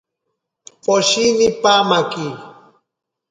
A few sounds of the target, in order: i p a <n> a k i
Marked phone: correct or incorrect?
incorrect